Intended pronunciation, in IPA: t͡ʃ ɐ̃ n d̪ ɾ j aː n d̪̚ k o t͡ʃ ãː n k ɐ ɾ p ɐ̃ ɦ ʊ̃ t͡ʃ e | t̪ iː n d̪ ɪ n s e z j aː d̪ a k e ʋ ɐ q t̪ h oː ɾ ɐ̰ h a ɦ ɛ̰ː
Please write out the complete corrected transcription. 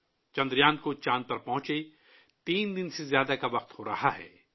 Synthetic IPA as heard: t͡ʃ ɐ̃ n d̪ ɾ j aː n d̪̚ k o t͡ʃ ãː n p ɐ ɾ p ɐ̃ ɦ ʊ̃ t͡ʃ e | t̪ iː n d̪ ɪ n s e z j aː d̪ a k a ʋ ɐ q t̪ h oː ɾ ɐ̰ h a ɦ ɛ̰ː